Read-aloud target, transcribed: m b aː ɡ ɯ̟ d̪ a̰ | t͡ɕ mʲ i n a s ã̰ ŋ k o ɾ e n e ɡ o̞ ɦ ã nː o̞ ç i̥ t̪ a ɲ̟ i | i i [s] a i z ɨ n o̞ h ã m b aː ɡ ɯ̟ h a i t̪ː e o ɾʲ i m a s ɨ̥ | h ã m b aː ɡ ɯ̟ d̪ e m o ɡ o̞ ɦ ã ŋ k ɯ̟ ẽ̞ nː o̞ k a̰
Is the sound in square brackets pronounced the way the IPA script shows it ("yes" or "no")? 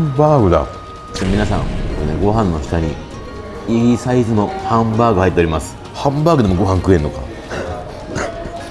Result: yes